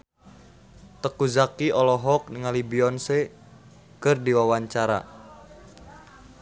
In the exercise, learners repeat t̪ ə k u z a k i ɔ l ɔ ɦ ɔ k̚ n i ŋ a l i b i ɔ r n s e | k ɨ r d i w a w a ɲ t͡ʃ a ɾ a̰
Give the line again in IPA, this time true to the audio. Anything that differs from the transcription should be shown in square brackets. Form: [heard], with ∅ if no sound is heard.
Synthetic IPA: t̪ ə k u z a k i ɔ l ɔ ɦ ɔ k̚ n i ŋ a l i b i ɔ [∅] n s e | k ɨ r d i w a w a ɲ t͡ʃ a ɾ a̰